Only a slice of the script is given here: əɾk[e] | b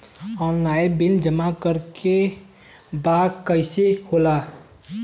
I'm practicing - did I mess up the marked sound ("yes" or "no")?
no